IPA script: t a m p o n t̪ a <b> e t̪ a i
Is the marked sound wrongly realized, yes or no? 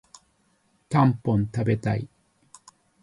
no